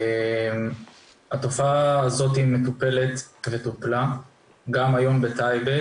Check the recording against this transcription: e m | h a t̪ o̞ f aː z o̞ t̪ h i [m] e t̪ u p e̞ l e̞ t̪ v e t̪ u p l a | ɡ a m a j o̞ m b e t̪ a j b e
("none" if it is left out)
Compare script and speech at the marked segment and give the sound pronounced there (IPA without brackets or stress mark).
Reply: m